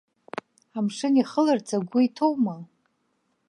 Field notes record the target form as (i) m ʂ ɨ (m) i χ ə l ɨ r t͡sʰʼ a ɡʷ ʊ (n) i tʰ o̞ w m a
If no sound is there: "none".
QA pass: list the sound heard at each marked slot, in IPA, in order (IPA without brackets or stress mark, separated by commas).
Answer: a, n, none